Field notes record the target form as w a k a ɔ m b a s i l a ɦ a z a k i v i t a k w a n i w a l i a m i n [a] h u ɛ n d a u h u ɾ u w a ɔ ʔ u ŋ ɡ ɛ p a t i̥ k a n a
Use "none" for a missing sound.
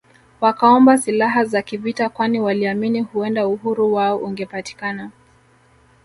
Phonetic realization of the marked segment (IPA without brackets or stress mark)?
i